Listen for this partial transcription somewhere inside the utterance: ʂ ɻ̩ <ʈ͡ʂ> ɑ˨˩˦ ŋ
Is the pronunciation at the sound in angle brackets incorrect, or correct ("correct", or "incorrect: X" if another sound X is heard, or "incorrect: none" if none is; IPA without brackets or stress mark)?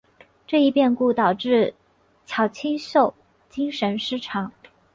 incorrect: ʈ͡ʂʰ